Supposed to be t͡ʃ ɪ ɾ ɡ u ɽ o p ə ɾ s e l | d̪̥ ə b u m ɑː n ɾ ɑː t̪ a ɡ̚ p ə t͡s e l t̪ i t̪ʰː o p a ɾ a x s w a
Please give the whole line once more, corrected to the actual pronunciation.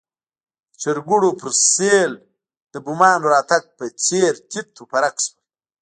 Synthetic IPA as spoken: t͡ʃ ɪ ɾ ɡ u ɽ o p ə ɾ s e l | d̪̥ ə b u m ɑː n ɾ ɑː t̪ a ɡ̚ p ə t͡s e ɾ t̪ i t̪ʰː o p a ɾ a k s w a